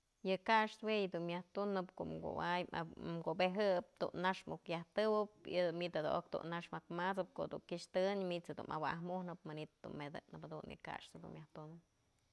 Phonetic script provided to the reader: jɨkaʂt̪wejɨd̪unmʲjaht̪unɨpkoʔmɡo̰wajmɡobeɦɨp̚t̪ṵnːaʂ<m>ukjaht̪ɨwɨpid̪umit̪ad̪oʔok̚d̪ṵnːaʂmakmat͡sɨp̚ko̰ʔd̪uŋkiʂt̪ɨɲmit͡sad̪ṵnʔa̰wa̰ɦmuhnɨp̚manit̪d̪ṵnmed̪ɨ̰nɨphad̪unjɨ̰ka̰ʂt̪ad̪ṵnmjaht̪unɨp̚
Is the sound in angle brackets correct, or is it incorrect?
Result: correct